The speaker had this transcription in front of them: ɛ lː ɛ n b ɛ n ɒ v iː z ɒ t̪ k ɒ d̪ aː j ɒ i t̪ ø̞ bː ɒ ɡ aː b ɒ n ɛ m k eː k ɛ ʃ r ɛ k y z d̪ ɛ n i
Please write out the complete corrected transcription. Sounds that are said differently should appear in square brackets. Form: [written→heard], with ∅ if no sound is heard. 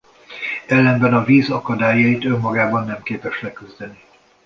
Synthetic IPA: ɛ lː ɛ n b ɛ n ɒ v iː z ɒ [t̪→∅] k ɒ d̪ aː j ɒ i t̪ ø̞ [bː→mː] ɒ ɡ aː b ɒ [n→nː] ɛ m k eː [k→p] ɛ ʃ [r→l] ɛ k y z d̪ ɛ n i